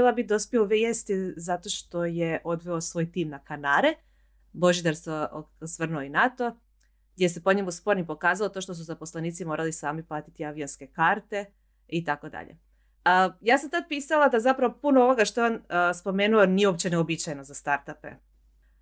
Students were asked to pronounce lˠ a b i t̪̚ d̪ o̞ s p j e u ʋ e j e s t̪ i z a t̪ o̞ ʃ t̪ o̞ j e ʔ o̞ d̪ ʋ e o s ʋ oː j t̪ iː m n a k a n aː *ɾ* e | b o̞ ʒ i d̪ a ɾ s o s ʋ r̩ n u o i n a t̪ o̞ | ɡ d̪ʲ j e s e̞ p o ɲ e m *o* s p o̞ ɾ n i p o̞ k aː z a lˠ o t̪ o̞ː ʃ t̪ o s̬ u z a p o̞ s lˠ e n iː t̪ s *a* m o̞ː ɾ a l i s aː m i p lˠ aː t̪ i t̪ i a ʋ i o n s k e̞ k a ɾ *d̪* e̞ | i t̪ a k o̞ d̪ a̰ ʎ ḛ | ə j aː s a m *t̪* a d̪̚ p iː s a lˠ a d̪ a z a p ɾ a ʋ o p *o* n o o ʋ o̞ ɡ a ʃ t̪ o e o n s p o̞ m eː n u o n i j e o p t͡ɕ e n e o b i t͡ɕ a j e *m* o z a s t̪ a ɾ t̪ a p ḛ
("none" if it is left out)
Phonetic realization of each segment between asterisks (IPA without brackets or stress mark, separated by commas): ɾ, u, i, t̪, t̪, u, n